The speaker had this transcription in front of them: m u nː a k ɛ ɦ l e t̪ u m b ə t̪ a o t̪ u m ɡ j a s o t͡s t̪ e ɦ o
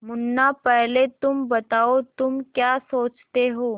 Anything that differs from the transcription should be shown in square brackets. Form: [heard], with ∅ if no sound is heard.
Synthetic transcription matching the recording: m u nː a [p] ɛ ɦ l e t̪ u m b ə t̪ a o t̪ u m [k] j a s o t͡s t̪ e ɦ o